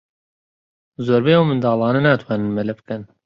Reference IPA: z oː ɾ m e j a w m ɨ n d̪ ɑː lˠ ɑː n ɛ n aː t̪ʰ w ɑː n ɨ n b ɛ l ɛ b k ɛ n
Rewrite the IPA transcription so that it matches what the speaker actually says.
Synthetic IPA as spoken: z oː ɾ b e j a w m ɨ n d̪ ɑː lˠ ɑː n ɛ n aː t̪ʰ w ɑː n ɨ n m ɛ l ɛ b k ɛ n